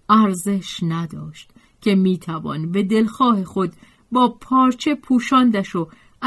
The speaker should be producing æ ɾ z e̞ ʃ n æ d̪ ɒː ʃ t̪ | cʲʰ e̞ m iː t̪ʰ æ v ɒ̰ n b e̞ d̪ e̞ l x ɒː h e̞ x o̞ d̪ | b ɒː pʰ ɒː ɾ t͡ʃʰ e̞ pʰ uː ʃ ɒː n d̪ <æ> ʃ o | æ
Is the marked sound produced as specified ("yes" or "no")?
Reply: yes